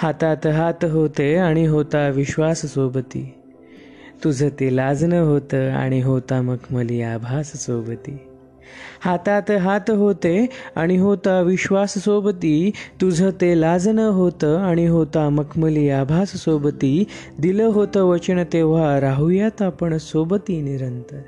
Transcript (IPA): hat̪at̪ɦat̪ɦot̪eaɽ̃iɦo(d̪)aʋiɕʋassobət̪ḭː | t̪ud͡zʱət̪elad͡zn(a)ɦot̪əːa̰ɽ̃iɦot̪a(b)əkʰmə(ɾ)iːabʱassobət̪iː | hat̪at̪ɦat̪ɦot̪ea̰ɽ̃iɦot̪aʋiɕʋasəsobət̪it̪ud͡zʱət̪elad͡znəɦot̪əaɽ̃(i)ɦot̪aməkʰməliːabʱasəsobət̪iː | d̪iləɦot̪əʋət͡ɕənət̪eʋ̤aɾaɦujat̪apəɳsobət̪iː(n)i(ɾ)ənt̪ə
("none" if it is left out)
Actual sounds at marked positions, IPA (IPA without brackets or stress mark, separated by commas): t̪, ə, m, l, i, n, ɾ